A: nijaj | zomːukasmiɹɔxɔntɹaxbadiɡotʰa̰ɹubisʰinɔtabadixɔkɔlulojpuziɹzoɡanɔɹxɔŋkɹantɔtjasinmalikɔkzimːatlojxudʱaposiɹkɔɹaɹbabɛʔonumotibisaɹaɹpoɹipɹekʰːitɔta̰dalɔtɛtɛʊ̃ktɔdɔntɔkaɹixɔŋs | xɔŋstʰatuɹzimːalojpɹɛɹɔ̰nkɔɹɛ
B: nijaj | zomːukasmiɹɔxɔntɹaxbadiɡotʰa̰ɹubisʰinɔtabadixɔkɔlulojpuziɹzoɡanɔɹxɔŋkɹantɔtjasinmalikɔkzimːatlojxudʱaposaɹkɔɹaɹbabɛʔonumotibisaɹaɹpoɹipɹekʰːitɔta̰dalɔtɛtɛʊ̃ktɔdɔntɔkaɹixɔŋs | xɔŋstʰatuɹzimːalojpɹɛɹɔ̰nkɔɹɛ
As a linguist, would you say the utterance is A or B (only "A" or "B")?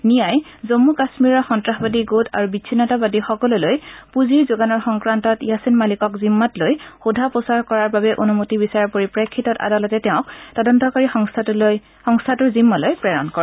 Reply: B